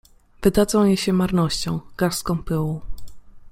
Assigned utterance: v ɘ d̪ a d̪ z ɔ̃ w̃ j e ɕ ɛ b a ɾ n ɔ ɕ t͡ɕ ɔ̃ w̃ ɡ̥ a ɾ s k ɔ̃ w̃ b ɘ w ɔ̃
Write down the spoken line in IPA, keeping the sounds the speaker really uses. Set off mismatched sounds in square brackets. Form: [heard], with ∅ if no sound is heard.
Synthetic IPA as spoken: v ɘ d̪ a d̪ z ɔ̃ w̃ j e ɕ ɛ [m] a ɾ n ɔ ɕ t͡ɕ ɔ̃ w̃ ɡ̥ a ɾ s k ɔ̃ w̃ [p] ɘ w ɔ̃